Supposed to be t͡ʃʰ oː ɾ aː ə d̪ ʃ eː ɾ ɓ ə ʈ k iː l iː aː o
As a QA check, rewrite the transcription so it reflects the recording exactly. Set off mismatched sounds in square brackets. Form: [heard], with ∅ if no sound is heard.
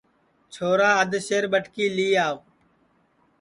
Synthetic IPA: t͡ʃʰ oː ɾ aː ə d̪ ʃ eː ɾ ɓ ə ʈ k iː l iː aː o